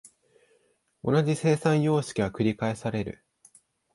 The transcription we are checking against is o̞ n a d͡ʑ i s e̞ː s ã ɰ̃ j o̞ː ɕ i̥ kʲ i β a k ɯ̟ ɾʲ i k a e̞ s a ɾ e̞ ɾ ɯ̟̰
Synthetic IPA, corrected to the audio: o̞ n a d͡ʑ i s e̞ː s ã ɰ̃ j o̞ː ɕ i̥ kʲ i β a k ɯ̟ ɾʲ i k a e̞ s a ɾ e̞ ɾ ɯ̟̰